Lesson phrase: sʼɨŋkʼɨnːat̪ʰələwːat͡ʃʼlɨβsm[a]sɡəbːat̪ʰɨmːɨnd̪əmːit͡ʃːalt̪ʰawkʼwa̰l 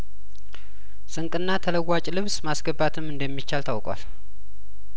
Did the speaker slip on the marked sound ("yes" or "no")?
no